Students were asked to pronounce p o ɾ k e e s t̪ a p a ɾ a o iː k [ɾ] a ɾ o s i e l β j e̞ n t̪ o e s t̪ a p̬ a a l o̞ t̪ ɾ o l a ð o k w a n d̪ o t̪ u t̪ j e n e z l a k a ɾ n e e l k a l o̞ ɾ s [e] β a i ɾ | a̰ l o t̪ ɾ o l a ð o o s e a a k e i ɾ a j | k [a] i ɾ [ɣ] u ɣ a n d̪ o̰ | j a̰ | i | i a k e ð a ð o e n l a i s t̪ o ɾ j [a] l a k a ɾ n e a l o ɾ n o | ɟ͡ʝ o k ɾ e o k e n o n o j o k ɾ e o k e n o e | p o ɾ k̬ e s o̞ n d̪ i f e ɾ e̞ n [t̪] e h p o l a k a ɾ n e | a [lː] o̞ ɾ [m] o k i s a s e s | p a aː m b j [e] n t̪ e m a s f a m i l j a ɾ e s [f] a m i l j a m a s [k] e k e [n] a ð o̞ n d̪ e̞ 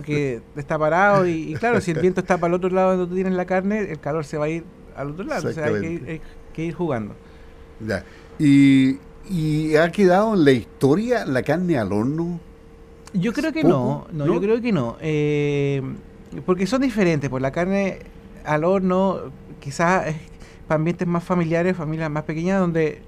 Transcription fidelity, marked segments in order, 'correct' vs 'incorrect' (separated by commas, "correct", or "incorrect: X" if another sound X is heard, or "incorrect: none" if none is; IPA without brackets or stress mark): incorrect: l, correct, incorrect: e, incorrect: x, correct, correct, incorrect: l, incorrect: n, correct, correct, incorrect: p, incorrect: ɲ